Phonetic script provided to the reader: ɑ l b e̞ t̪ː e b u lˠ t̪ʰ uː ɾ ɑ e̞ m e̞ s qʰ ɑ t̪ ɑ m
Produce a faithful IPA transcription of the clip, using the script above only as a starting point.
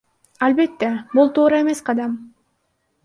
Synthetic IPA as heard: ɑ l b e̞ t̪ː e b u lˠ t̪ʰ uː ɾ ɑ e̞ m e̞ s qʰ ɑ d̪ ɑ m